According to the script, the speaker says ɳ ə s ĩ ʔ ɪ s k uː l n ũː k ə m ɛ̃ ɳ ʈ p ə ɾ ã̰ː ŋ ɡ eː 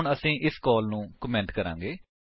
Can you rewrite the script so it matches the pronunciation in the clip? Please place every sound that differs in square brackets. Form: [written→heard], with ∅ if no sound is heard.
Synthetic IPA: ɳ ə s [ĩ→ĩː] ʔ ɪ s k [uː→ɔː] l n ũː k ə m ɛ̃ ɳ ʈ [p→k] ə ɾ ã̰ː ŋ ɡ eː